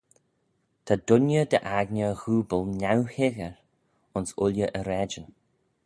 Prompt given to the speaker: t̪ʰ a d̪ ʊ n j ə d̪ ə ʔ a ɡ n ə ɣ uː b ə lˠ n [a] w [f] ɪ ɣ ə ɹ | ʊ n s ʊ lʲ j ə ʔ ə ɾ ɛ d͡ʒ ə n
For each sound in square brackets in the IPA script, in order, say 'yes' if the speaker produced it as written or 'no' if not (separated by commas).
yes, no